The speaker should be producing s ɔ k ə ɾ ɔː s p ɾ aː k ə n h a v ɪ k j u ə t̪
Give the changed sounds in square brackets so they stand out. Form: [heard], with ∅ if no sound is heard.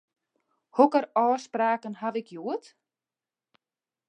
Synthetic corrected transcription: [h] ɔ k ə ɾ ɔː s p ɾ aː k ə n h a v ɪ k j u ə t̪

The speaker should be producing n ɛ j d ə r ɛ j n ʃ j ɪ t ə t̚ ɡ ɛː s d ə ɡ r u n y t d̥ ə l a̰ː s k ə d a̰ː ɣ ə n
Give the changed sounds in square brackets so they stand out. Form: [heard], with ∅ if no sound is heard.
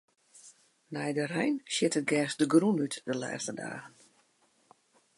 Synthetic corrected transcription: n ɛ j d ə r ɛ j n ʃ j ɪ t ə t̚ ɡ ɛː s d ə ɡ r u n y t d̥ ə l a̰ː s [t] ə d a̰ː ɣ ə n

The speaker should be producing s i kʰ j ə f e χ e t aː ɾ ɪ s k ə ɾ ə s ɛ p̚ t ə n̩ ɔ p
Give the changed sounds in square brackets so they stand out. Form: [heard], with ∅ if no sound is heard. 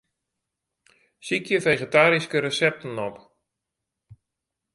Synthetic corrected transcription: s i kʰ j ə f e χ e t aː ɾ [i] s k ə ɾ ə s ɛ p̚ t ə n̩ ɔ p

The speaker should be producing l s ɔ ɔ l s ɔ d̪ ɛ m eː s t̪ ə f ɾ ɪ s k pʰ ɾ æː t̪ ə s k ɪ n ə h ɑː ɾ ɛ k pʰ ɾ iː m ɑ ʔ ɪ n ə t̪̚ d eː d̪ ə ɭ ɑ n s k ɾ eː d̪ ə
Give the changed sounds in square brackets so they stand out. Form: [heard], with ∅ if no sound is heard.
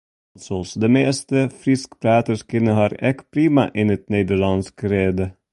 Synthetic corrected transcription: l s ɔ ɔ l s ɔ d̪ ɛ m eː s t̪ ə f ɾ ɪ s k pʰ ɾ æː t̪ ə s k ɪ n ə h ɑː ɾ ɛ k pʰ ɾ iː m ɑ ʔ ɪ n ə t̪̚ [n] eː d̪ ə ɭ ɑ n s k ɾ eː d̪ ə

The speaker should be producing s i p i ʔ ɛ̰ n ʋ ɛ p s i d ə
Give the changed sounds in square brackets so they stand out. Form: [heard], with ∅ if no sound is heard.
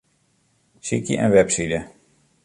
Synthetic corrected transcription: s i [k] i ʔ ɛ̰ n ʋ ɛ p s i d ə

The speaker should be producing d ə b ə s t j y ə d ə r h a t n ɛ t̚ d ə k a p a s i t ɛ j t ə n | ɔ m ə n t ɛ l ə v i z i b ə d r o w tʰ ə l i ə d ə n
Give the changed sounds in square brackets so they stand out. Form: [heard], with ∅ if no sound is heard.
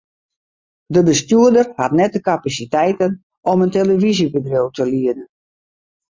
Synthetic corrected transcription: d ə b ə s t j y ə d ə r h a t n ɛ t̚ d ə k a p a s i t ɛ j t ə n | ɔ m ə n t [e] l ə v i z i b ə d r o w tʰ ə l i ə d ə n

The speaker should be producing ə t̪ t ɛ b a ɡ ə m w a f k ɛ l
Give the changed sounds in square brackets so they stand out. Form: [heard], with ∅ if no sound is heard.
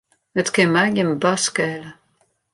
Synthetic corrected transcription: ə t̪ [k] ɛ [m] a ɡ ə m [b] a [s] k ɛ l

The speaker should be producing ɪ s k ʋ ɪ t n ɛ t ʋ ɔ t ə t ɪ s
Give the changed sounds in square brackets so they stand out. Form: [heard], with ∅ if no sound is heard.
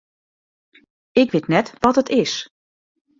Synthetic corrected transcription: ɪ [∅] k ʋ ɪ t n ɛ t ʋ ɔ t ə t ɪ s

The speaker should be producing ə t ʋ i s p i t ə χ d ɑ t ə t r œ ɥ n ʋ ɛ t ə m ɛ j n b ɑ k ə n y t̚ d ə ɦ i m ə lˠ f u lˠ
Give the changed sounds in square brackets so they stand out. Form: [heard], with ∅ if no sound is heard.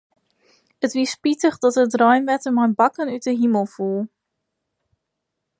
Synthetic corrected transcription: ə t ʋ i s p i t ə χ d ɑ t ə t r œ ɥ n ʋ ɛ t ə m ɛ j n b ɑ k ə n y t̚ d ə ɦ i m ə lˠ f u lˠ

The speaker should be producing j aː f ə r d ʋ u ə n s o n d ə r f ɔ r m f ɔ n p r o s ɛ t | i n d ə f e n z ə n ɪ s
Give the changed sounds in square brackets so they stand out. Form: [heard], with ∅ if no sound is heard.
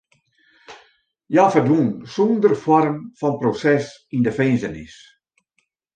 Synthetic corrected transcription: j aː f ə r d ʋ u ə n s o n d ə r f ɔ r m f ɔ n p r o s ɛ [s] | i n d ə f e n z ə n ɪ s

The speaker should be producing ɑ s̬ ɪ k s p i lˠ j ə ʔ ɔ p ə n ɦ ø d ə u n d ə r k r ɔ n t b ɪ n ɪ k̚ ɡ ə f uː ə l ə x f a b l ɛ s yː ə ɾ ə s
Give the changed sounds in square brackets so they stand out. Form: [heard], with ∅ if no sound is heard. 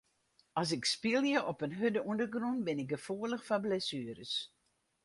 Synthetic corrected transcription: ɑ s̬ ɪ k s p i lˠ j ə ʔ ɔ p ə n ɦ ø d ə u n d ə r [ɡ] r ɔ n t b ɪ n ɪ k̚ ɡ ə f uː ə l ə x f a b l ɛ s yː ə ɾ ə s

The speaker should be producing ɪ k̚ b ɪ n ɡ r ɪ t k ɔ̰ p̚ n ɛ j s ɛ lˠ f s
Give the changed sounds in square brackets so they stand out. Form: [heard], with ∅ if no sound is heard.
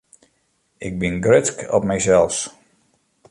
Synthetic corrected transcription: ɪ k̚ b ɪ n ɡ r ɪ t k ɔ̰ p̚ [m] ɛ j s ɛ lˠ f s

